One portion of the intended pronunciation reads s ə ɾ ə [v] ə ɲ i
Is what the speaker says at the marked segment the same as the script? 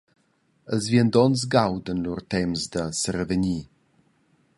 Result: yes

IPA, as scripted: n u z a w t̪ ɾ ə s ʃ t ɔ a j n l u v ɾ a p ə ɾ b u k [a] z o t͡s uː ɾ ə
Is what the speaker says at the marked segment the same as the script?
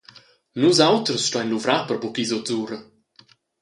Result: no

